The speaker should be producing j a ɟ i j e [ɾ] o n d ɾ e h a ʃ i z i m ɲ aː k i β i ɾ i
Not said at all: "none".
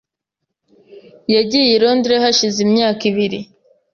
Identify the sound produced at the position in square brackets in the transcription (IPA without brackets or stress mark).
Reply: ɾ